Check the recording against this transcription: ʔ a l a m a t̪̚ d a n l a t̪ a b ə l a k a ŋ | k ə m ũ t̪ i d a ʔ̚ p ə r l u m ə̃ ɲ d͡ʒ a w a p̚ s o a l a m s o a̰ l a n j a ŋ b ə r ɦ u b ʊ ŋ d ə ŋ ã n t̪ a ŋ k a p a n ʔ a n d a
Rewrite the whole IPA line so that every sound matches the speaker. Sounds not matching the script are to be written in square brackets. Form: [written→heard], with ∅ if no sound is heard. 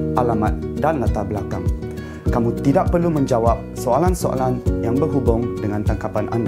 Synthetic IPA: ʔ a l a m a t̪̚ d a n l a t̪ a b ə l a k a ŋ | k [ə→a] m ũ t̪ i d a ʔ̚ p ə r l u m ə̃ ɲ d͡ʒ a w a p̚ s o a l a [m→n] s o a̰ l a n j a ŋ b ə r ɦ u b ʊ ŋ d ə ŋ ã n t̪ a ŋ k a p a n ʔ a n d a